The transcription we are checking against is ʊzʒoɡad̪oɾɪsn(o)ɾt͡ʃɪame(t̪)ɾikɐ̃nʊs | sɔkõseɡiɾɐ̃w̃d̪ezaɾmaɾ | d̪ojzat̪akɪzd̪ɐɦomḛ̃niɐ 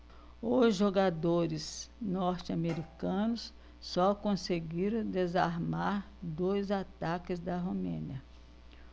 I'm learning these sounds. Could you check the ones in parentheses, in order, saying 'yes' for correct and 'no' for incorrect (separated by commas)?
no, no